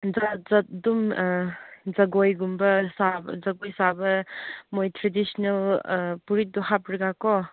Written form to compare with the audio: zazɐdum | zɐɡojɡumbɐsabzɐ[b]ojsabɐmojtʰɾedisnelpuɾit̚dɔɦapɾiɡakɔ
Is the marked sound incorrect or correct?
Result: incorrect